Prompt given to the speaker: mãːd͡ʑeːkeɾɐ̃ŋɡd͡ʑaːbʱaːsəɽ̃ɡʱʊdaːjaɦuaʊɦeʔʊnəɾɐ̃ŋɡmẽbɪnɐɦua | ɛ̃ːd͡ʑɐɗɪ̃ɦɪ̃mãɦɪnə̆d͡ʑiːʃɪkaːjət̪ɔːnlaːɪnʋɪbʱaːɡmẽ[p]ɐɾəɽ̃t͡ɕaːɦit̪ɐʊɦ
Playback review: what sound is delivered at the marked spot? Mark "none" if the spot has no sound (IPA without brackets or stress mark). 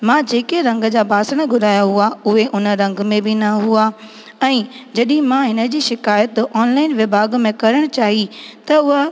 k